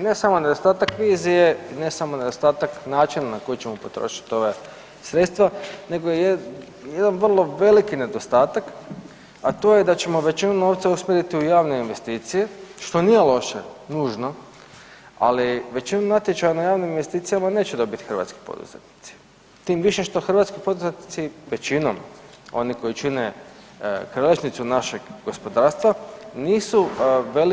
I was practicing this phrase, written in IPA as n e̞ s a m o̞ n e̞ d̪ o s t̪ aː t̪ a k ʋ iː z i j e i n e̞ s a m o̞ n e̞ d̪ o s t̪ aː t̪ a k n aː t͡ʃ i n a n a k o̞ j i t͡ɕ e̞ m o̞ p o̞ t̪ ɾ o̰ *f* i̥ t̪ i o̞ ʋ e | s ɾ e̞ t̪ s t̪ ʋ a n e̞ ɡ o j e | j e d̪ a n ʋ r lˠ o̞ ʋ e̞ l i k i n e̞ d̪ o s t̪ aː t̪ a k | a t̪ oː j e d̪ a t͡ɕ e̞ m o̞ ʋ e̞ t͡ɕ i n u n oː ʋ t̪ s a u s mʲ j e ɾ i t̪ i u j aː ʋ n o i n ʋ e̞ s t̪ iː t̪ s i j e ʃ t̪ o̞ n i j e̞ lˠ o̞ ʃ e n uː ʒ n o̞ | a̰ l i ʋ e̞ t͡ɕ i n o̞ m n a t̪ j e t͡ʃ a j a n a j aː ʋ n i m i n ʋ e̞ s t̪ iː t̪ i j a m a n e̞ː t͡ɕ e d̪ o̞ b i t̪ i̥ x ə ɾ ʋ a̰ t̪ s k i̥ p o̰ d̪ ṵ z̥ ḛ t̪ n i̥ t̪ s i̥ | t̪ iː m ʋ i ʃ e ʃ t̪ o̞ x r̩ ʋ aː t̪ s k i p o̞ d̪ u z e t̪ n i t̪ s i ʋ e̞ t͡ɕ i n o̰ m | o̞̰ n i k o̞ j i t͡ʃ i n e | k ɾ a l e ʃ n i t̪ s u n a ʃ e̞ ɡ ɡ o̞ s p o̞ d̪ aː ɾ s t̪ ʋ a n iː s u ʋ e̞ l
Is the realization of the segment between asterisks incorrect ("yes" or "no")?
yes